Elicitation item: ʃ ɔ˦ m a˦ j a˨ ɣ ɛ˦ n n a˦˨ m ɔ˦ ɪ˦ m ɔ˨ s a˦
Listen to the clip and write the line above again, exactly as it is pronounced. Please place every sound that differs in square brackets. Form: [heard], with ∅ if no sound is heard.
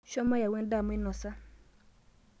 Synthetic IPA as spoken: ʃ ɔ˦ m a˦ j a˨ [w] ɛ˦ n [d] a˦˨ m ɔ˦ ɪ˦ [n] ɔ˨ s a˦

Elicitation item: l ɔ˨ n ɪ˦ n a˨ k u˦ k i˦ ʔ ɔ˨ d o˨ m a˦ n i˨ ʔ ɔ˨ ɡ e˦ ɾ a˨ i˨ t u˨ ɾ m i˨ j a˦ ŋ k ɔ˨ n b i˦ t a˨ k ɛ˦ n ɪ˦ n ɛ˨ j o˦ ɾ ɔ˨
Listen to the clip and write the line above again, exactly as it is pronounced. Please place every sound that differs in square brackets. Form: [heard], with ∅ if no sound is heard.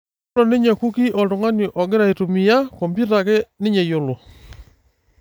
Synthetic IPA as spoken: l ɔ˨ n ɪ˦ [ɲ] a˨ k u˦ k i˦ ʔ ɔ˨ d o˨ [ŋ] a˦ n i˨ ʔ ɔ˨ ɡ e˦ ɾ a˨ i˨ t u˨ [∅] m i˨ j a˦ [∅] k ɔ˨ [m] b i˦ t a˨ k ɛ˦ n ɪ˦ [ɲ] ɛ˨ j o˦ [l] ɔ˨

